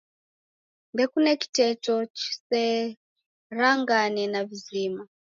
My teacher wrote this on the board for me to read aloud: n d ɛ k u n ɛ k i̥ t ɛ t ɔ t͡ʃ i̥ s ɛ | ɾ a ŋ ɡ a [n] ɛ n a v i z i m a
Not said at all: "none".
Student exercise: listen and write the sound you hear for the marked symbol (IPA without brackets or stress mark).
n